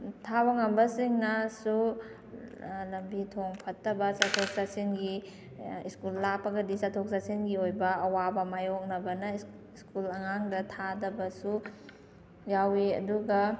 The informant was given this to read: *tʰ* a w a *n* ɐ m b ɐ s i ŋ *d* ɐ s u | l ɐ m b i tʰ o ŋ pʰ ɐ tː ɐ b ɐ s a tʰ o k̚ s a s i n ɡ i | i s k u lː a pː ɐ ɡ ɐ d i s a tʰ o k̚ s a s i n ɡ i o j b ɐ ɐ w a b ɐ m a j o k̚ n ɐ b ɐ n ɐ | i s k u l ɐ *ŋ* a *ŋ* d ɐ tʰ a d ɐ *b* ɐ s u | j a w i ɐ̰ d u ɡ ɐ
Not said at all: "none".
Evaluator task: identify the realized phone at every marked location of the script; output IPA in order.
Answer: tʰ, ŋ, n, ŋ, ŋ, b

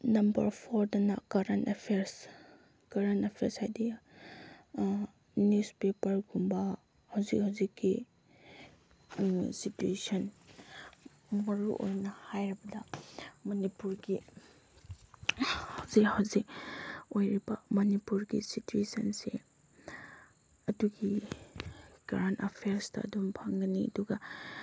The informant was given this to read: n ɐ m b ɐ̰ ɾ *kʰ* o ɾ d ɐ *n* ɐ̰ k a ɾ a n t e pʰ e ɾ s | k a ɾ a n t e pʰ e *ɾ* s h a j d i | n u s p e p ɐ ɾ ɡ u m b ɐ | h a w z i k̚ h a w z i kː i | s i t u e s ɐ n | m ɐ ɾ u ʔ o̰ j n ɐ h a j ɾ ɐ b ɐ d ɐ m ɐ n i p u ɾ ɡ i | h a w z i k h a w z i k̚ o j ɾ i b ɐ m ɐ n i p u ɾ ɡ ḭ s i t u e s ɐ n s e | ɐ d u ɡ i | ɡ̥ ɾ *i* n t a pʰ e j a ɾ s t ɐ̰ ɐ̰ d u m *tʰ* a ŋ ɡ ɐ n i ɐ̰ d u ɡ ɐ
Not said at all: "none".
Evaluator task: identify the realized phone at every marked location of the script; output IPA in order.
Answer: pʰ, n, ɾ, a, pʰ

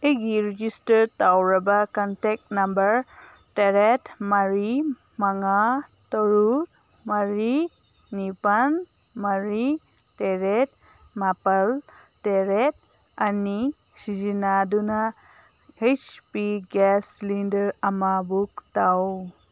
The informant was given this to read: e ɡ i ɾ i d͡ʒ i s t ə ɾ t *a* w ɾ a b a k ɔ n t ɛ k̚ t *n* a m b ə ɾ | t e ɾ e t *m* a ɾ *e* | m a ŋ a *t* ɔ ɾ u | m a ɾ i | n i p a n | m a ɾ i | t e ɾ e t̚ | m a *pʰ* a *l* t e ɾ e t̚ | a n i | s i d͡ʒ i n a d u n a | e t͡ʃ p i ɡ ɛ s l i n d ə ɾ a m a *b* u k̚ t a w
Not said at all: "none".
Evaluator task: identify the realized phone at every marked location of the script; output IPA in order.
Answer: a, n, m, i, t, p, l, b

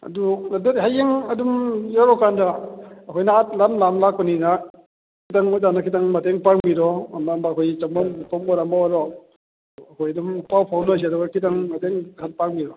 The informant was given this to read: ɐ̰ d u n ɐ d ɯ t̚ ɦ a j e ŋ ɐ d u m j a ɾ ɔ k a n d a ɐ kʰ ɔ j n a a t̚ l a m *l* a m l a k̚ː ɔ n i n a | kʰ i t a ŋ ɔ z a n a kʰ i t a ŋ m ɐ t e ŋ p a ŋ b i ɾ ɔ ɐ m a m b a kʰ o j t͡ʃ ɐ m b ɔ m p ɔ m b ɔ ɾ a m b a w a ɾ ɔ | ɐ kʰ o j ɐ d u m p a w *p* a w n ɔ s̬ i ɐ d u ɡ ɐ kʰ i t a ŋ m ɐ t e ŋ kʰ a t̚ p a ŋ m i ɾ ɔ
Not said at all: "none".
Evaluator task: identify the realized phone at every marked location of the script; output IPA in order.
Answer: l, pʰ

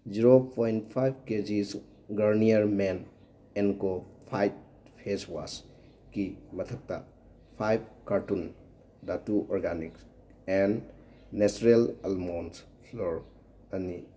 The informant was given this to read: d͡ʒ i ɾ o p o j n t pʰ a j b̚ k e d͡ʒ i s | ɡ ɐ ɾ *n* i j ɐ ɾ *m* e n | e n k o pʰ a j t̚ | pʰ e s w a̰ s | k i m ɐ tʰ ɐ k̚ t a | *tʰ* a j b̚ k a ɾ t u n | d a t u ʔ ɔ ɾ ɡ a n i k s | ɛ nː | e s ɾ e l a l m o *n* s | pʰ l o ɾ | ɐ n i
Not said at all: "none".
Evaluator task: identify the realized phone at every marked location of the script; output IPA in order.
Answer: n, m, pʰ, n

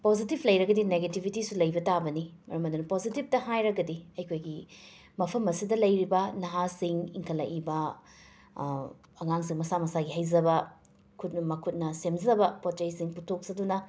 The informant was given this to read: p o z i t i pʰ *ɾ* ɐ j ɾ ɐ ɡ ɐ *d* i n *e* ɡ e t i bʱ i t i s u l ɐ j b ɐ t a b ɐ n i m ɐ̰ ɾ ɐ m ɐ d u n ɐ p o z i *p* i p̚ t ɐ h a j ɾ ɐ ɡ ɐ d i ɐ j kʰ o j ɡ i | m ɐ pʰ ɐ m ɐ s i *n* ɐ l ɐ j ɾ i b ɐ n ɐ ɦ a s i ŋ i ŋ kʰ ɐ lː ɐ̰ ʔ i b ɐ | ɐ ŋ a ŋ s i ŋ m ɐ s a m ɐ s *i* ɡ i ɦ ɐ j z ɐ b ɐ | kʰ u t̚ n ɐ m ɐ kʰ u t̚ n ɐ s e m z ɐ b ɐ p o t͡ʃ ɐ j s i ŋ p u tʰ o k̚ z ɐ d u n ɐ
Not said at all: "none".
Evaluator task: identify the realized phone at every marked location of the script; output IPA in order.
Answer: l, d, e, t, d, a

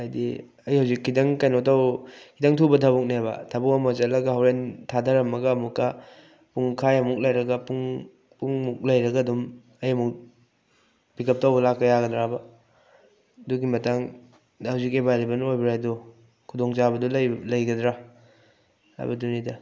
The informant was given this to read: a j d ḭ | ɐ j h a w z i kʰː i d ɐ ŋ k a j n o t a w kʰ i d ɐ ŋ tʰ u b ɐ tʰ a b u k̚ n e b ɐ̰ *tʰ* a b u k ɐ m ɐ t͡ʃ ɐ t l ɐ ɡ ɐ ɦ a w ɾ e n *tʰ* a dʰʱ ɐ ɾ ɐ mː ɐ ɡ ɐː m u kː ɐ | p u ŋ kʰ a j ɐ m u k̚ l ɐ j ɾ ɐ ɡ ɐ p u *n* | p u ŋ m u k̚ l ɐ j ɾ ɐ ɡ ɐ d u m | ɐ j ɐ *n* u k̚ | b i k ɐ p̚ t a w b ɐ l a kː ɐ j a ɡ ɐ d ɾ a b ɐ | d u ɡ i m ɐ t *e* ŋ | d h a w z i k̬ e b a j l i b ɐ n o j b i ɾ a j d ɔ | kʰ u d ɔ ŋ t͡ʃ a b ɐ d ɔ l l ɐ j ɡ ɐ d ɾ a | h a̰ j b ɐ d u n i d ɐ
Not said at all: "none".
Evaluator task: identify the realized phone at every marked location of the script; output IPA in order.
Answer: tʰ, tʰ, ŋ, m, a

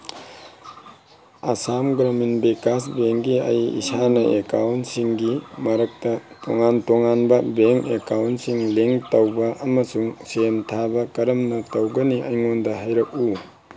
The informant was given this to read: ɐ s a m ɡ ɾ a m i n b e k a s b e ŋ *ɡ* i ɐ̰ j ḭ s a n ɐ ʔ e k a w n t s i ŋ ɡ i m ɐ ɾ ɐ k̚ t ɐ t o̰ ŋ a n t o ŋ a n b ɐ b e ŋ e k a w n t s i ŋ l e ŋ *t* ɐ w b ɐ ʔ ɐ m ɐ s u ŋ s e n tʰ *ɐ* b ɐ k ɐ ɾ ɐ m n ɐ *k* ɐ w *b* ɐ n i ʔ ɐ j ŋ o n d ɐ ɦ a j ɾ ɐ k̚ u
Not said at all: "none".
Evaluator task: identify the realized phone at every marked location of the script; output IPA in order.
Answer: ɡ, t, a, t, ɡ

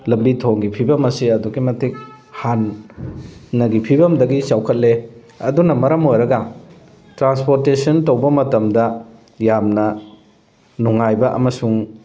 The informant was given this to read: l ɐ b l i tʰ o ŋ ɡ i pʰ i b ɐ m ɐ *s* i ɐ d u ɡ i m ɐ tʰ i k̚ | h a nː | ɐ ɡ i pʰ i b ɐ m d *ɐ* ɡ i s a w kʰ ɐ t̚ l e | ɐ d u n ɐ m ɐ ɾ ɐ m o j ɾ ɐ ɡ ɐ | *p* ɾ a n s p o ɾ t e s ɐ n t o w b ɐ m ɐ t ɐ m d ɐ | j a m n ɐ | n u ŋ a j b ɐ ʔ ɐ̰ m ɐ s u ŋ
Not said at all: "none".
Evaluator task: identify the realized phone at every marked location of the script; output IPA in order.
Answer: s, ɐ, t

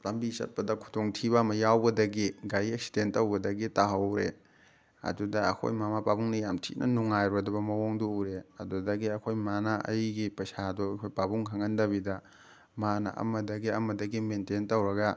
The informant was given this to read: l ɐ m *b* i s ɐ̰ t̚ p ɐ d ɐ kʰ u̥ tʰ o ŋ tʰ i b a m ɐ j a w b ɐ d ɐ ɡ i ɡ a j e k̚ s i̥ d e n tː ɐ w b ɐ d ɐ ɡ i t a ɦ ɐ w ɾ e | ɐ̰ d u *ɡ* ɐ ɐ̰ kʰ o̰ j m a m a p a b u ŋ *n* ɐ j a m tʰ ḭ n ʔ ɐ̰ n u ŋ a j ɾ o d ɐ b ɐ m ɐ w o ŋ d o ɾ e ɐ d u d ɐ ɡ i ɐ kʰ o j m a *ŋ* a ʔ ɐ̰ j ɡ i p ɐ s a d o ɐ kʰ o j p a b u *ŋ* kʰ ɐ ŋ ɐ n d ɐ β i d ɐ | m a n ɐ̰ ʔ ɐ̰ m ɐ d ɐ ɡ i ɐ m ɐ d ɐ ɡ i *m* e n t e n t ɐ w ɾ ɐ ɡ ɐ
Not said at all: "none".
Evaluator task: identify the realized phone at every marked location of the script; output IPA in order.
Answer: b, d, n, n, ŋ, m

